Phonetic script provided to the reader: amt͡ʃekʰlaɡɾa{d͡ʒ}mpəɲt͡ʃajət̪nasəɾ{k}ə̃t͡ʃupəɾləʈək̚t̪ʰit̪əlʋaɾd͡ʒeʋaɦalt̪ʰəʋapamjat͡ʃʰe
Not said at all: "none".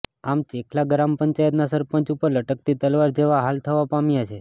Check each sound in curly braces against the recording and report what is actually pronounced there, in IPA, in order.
none, p

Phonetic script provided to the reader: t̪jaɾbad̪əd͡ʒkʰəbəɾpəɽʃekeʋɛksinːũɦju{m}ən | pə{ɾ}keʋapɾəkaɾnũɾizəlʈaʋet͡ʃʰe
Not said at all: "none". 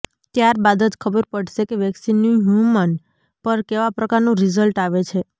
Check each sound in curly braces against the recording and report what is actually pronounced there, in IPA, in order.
m, ɾ

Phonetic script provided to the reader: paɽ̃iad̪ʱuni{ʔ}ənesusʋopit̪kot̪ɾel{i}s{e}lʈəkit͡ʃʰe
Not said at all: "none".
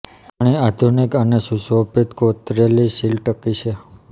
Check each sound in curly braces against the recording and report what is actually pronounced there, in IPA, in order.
k, i, i

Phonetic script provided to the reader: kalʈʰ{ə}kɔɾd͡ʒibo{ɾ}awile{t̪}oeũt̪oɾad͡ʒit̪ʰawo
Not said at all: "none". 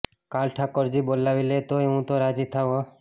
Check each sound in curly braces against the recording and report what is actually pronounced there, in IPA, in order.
a, l, t̪

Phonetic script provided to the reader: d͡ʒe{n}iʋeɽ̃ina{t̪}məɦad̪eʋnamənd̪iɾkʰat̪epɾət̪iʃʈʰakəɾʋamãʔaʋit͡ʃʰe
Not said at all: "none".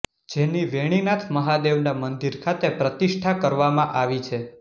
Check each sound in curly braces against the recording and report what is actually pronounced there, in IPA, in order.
n, t̪ʰ

